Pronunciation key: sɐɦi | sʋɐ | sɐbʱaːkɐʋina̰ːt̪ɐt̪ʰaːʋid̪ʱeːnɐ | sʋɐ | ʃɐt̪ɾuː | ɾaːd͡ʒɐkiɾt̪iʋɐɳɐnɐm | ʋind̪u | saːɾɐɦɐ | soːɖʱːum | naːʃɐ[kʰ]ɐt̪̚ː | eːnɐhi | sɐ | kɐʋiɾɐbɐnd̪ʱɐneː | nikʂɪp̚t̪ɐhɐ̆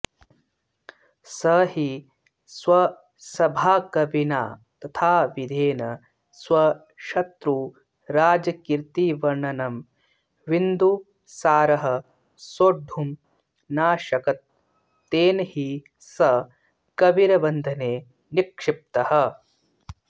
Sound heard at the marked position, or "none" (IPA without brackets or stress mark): k